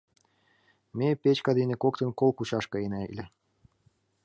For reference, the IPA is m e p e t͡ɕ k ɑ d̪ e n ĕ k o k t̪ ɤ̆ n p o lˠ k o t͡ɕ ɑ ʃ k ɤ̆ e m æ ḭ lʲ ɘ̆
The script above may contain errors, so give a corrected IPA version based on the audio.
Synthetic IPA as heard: m e p e t͡ɕ k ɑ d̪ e n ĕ k o k t̪ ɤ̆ n k o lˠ k u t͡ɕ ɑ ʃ k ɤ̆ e n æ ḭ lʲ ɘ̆